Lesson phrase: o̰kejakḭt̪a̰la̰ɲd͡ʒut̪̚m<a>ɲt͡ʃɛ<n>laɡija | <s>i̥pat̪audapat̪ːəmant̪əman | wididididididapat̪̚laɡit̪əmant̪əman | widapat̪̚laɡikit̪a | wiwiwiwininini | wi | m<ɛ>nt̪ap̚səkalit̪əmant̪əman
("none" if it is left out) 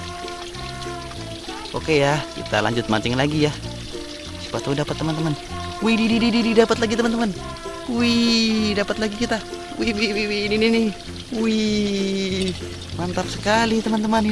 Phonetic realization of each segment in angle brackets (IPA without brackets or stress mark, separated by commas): a, ŋ, s, a